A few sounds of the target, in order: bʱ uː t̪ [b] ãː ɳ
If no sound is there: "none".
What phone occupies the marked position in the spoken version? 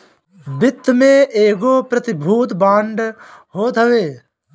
b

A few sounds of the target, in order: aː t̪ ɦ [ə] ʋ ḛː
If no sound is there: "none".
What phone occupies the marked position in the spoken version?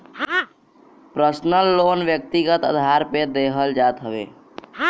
ə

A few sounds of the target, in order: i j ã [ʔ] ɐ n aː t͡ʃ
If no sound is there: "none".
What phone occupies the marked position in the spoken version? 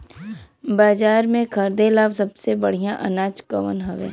ʔ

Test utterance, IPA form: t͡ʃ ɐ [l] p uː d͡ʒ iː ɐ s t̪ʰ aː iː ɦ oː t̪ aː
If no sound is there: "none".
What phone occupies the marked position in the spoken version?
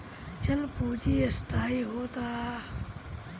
l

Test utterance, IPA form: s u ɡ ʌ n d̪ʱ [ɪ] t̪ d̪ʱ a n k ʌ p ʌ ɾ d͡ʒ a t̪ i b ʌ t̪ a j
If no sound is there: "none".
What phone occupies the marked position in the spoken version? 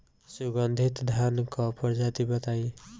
i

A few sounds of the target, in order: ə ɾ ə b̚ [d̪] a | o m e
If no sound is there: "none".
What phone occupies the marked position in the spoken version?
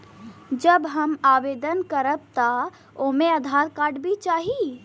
t̪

